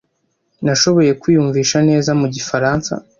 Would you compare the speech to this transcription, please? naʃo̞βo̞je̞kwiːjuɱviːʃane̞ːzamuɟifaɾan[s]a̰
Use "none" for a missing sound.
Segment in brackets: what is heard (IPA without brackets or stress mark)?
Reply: s